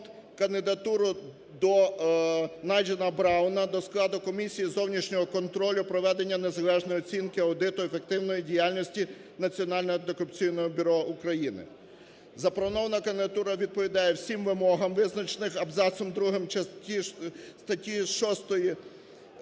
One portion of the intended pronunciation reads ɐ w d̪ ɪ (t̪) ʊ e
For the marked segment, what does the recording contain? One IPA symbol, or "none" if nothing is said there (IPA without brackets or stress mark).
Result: t̪